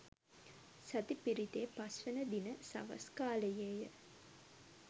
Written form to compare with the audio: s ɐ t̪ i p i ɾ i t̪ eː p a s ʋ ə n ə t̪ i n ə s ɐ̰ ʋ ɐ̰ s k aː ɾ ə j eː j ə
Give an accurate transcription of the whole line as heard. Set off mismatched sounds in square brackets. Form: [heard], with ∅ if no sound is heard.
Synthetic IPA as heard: s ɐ t̪ i p i ɾ i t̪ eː p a s ʋ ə n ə [d̪] i n ə s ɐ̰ ʋ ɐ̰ s k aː [l] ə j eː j ə